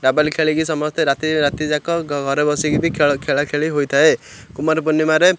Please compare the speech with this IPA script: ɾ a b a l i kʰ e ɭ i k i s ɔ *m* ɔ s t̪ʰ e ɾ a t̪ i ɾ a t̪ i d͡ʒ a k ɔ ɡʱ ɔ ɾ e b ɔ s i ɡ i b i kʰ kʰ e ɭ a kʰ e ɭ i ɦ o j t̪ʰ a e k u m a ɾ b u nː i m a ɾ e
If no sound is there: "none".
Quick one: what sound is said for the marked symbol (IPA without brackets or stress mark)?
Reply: m